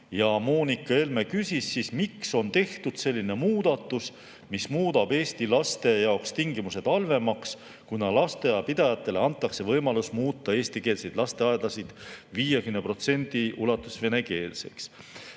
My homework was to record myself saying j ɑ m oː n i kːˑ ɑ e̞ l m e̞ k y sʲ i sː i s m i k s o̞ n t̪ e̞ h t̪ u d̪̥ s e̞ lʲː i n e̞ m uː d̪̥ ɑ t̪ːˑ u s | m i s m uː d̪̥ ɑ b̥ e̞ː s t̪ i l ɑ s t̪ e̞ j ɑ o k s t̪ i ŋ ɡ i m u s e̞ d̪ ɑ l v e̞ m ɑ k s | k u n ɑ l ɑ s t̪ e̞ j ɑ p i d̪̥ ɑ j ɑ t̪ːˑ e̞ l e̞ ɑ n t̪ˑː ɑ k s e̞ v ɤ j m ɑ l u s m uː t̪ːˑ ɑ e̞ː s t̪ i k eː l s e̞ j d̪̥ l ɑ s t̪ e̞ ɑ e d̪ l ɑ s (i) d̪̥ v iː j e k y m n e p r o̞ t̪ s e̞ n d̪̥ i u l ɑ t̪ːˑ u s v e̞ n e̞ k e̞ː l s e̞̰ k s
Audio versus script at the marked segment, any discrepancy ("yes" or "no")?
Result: no